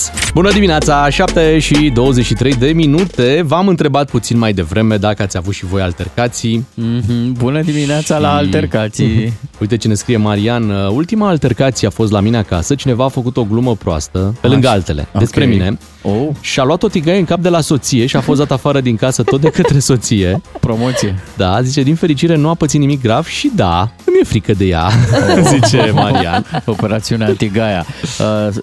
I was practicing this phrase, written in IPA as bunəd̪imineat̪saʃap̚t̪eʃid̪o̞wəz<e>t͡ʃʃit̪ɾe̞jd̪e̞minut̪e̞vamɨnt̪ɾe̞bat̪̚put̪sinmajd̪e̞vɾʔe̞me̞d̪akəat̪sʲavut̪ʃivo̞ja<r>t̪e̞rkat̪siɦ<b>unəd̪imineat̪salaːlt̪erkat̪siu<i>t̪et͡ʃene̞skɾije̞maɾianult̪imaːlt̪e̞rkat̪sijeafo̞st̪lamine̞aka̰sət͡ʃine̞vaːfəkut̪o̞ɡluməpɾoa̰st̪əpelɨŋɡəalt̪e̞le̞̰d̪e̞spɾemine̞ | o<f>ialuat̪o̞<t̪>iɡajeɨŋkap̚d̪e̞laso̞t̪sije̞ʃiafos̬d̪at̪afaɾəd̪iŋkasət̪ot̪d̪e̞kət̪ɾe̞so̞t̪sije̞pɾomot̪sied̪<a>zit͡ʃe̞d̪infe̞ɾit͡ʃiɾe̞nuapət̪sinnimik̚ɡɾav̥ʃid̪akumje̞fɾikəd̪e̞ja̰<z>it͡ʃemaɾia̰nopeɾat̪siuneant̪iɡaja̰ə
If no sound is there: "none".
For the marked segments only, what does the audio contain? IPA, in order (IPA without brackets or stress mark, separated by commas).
e, l, b, j, ʃ, t̪, a, z